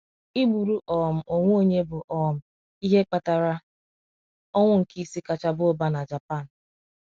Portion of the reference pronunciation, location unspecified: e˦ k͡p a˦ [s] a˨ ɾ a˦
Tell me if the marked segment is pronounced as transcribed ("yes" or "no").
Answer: no